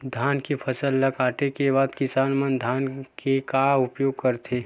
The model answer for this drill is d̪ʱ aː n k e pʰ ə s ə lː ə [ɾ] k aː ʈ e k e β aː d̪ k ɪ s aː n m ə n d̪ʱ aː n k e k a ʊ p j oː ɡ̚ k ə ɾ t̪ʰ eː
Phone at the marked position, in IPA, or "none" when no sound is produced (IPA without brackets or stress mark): none